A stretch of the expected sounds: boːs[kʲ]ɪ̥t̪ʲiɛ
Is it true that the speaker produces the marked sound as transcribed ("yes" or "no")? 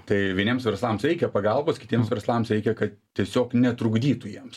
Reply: yes